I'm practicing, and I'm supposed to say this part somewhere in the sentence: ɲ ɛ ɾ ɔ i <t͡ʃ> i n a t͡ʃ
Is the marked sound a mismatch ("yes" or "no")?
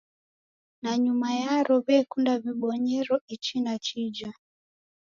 no